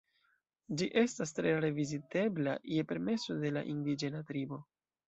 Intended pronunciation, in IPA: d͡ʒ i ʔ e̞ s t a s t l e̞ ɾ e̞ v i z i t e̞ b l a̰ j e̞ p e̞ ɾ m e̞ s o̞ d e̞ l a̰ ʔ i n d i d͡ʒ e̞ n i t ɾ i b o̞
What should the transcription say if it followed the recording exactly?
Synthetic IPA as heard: d͡ʒ i ʔ e̞ s t a s t ɾ e̞ ɾ e̞ v i z i t e̞ b l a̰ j e̞ p e̞ ɾ m e̞ s o̞ d e̞ l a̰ ʔ i n d i d͡ʒ e̞ n a t ɾ i b o̞